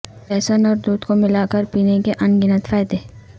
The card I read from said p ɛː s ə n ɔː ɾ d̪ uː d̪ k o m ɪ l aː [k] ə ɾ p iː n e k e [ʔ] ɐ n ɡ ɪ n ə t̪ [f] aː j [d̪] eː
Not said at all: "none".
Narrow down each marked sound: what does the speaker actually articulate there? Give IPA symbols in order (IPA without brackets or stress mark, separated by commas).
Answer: k, ʔ, f, d̪